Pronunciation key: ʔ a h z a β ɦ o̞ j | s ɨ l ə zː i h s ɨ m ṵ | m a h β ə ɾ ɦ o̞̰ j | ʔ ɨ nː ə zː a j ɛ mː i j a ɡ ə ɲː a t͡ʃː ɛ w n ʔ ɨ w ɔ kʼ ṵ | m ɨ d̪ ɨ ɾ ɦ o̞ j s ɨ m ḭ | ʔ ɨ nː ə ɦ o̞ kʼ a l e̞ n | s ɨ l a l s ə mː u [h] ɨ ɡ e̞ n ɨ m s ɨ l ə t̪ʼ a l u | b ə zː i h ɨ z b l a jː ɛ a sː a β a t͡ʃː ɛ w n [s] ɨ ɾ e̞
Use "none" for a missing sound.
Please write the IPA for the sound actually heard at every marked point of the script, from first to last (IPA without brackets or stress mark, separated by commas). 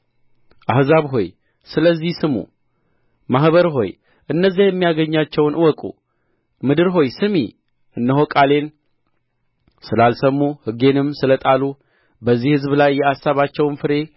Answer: h, f